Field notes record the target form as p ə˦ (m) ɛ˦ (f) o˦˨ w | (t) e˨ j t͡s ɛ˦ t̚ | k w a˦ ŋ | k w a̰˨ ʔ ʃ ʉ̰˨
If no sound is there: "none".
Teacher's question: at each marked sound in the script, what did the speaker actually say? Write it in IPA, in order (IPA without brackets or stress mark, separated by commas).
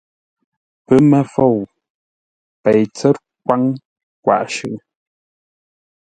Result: m, f, p